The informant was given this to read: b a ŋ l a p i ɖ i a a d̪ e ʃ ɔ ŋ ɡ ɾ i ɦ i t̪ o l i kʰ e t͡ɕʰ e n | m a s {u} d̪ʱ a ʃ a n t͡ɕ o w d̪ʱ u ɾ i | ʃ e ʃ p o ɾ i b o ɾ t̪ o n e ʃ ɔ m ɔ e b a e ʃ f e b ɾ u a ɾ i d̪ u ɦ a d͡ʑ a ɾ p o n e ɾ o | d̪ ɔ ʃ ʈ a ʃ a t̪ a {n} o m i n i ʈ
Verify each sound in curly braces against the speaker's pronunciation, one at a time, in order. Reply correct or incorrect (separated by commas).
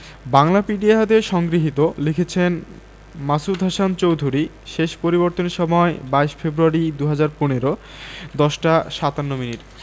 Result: correct, incorrect